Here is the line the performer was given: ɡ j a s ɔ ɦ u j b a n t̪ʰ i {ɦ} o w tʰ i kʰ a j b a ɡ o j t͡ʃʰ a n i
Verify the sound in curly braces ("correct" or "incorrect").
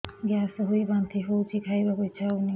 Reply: correct